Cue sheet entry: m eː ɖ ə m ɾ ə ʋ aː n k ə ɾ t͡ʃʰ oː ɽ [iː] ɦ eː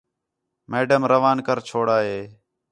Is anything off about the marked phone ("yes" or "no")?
yes